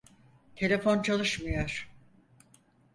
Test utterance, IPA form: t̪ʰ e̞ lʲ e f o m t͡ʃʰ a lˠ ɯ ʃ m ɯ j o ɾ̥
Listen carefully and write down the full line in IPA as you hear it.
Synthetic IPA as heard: t̪ʰ e̞ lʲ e f o n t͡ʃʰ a lˠ ɯ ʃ m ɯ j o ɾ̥